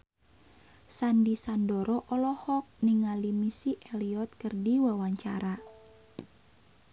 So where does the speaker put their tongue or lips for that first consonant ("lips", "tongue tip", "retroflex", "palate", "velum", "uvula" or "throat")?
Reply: tongue tip